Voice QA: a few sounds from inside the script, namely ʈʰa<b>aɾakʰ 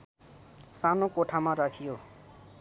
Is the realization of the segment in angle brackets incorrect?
yes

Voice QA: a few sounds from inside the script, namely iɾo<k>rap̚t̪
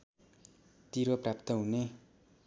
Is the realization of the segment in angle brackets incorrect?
yes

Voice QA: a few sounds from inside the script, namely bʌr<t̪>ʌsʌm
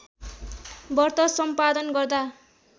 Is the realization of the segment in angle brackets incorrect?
no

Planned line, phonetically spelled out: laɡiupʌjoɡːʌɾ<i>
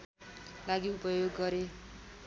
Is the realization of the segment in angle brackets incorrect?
yes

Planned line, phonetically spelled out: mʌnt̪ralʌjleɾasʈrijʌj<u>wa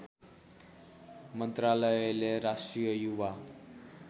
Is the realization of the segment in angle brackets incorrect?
no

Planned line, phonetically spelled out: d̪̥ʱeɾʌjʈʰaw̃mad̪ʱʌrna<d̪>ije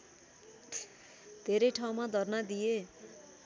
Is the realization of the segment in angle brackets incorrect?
no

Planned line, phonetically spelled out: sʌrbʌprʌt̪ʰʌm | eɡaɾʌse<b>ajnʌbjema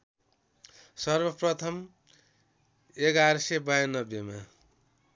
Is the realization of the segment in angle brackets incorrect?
no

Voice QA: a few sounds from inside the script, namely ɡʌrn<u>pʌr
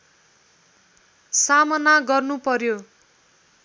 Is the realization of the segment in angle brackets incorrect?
no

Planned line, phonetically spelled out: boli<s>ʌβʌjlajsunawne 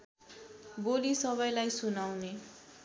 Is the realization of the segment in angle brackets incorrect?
no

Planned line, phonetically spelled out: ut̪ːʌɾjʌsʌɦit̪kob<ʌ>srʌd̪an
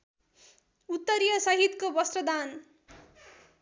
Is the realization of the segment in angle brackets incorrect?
no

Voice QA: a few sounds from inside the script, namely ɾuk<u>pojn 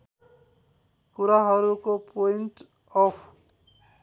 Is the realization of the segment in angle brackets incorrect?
yes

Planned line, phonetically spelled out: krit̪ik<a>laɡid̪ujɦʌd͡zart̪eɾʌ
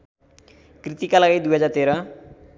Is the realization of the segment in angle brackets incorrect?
no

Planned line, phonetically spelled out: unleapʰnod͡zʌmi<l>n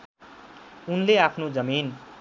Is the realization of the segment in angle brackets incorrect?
yes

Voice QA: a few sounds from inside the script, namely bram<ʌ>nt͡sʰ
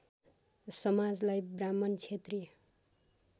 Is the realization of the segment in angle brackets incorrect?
no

